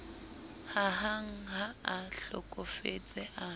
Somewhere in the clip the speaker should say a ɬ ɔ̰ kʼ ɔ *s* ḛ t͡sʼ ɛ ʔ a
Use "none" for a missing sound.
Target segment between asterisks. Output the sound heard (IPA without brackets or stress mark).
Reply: f